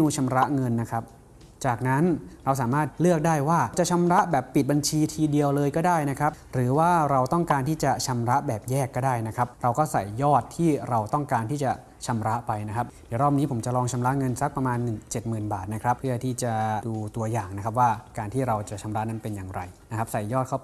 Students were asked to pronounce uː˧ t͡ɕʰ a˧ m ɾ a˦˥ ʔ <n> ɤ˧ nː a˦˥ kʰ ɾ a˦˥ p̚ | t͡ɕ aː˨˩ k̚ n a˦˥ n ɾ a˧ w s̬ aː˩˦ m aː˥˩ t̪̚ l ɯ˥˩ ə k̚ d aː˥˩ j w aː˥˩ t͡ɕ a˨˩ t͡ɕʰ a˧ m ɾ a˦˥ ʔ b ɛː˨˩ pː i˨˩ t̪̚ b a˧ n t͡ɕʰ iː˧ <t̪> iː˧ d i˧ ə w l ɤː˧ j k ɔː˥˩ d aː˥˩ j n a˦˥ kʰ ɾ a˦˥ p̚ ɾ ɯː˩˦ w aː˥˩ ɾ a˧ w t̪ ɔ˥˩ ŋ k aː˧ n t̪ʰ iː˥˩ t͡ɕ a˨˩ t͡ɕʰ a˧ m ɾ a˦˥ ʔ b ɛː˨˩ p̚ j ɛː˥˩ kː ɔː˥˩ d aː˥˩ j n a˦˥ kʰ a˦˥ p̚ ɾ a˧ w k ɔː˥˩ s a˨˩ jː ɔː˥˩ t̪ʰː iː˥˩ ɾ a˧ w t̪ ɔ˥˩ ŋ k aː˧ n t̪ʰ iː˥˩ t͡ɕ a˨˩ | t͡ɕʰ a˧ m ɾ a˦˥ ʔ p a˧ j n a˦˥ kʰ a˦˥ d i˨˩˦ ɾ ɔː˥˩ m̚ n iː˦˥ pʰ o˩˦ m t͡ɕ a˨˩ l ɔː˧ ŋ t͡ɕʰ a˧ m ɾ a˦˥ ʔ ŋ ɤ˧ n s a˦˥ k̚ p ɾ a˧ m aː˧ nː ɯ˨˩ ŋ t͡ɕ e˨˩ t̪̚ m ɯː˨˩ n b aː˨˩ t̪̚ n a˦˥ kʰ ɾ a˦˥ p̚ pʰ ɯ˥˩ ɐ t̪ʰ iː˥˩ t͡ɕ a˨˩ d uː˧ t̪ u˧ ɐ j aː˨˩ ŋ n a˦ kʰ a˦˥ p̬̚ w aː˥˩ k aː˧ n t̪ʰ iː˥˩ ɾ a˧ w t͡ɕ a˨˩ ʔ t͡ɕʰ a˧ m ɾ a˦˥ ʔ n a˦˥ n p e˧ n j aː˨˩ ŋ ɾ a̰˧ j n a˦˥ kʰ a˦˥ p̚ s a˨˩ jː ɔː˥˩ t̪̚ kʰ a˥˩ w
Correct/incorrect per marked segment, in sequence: incorrect: ŋ, incorrect: t̪ʰ

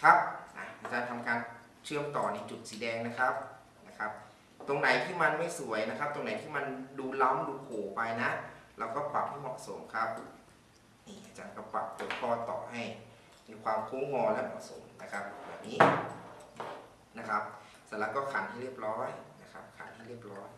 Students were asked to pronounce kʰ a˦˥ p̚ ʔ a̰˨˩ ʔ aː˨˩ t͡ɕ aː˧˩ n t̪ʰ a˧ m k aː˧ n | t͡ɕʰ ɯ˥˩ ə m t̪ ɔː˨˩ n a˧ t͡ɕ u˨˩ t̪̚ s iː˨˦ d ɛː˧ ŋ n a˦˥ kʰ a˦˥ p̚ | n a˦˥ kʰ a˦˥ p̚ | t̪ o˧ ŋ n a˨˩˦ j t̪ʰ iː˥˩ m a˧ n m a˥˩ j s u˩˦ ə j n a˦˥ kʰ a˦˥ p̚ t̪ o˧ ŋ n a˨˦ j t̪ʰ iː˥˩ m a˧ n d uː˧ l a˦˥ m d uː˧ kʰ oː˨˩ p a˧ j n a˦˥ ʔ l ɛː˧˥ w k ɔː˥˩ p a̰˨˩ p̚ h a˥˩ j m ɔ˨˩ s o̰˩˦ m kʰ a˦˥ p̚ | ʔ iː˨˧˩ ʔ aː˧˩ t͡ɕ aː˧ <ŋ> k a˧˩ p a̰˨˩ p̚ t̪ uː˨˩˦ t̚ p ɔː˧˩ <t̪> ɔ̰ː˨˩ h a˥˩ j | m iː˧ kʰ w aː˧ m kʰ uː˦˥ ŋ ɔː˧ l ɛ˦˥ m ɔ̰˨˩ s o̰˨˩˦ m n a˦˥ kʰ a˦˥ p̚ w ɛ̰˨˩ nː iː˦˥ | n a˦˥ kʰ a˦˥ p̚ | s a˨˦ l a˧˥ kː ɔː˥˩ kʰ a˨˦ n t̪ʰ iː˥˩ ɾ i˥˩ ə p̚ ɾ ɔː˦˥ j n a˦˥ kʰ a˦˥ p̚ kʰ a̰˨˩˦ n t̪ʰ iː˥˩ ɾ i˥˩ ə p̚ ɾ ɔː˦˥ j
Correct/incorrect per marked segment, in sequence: incorrect: n, correct

